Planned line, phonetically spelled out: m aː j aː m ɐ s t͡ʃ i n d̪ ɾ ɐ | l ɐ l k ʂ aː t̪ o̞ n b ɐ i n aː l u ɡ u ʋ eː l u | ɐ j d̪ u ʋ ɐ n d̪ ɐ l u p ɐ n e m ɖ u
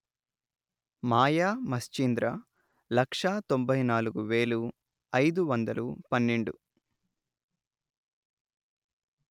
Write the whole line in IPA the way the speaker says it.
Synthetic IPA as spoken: m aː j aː m ɐ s t͡ʃ i n d̪ ɾ ɐ | l ɐ k ʂ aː t̪ o̞ m b ɐ j n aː l u ɡ u ʋ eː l u | ɐ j d̪ u ʋ ɐ n d̪ ɐ l u p ɐ nː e ɳ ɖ u

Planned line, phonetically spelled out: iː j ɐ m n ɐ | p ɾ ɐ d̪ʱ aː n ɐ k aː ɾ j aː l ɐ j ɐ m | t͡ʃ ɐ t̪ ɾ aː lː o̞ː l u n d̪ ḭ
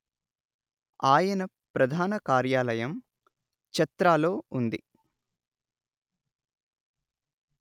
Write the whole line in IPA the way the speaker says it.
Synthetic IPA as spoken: aː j ɐ n ɐ | p ɾ ɐ d̪ʱ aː n ɐ k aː ɾ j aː l ɐ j ɐ m | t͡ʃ ɐ t̪ ɾ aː l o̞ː u n d̪ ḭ

